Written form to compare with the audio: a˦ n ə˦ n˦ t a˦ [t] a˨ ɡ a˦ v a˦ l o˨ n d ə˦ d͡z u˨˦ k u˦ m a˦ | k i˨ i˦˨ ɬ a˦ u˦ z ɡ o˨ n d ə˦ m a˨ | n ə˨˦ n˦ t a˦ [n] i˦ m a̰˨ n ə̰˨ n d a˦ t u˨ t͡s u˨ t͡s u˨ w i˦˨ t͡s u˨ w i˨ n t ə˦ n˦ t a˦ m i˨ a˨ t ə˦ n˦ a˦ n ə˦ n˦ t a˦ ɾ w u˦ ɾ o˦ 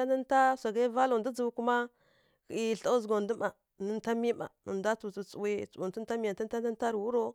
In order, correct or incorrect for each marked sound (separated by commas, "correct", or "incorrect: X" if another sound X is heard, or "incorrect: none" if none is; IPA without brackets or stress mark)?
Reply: incorrect: s, incorrect: m